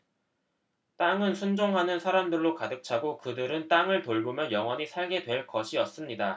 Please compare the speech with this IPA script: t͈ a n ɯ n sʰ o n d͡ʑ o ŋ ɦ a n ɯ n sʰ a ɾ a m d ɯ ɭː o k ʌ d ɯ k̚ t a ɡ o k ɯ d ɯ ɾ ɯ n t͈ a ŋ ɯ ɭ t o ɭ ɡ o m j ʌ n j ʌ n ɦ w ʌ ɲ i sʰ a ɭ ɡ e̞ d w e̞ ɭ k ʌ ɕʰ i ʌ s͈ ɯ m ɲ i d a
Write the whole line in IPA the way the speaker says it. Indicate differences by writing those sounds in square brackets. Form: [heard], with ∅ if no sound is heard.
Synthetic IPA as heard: t͈ a [ŋ] ɯ n sʰ [u] n d͡ʑ o ŋ ɦ a n ɯ n sʰ a ɾ a m d ɯ ɭː o k [a] d ɯ k̚ [t͡ɕʰ] a ɡ o k ɯ d ɯ ɾ ɯ n t͈ a ŋ ɯ ɭ t o ɭ ɡ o m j ʌ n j ʌ [ŋ] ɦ w ʌ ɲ i sʰ a ɭ ɡ e̞ d w e̞ ɭ k ʌ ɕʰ i ʌ s͈ ɯ m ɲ i d a